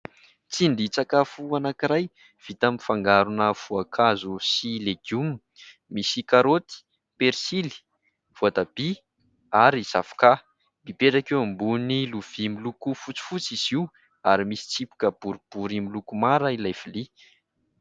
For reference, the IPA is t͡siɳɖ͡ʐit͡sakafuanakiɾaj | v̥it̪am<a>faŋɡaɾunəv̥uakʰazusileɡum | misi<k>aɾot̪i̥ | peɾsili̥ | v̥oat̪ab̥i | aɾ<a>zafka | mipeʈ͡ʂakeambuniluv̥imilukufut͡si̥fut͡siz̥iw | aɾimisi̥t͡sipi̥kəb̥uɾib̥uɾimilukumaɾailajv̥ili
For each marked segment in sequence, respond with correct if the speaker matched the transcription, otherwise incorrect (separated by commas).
incorrect, correct, incorrect